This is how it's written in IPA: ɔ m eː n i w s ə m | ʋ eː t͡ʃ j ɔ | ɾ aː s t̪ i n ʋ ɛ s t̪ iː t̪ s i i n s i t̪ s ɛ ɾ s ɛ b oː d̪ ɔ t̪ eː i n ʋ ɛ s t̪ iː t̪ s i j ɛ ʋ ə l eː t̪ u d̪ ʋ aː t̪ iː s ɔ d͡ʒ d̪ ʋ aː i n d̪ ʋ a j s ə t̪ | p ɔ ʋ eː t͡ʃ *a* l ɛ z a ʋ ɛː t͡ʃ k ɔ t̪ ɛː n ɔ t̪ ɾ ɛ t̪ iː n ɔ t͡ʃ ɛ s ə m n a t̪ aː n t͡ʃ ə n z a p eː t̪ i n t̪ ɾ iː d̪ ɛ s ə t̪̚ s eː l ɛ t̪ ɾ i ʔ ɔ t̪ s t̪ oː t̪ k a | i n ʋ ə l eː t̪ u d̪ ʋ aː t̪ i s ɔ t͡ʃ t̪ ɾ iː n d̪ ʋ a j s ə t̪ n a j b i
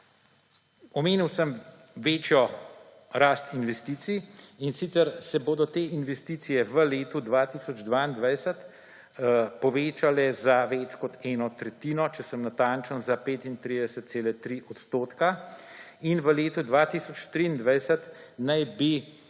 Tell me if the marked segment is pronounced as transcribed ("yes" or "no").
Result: yes